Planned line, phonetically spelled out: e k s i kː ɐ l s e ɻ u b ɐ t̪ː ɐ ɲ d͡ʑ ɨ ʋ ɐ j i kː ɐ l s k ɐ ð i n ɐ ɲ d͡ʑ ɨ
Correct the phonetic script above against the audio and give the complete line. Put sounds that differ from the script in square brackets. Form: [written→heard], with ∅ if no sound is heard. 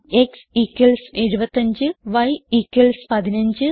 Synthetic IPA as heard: e k s i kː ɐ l s e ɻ u b ɐ t̪ː ɐ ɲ d͡ʑ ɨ ʋ ɐ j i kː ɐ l s [k→p] ɐ ð i n ɐ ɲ d͡ʑ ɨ